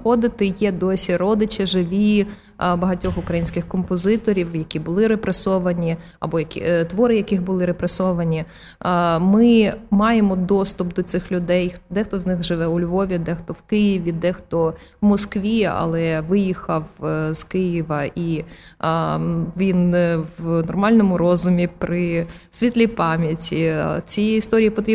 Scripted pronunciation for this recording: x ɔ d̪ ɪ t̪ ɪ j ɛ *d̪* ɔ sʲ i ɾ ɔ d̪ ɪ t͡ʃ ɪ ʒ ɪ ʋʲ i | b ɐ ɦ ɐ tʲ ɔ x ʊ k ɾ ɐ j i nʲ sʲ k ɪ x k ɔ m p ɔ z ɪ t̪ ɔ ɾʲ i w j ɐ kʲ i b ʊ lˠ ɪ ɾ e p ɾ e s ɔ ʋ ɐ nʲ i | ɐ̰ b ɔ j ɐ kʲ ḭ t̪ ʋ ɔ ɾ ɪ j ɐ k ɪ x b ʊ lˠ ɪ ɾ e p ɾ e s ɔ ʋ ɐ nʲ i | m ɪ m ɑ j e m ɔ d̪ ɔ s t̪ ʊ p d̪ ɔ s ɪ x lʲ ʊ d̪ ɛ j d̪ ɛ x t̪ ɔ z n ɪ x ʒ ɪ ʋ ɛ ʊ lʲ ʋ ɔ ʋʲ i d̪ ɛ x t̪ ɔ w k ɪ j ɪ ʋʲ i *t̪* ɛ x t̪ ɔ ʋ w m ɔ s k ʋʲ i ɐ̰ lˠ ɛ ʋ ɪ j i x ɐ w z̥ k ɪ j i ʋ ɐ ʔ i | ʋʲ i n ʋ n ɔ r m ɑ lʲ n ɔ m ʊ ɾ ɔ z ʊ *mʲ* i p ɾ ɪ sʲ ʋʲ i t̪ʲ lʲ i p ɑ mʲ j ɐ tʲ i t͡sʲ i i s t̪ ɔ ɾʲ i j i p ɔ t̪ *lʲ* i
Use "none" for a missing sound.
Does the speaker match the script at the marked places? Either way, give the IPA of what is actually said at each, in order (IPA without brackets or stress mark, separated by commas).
d̪, d̪, mʲ, ɾʲ